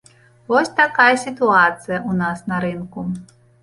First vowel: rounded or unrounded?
rounded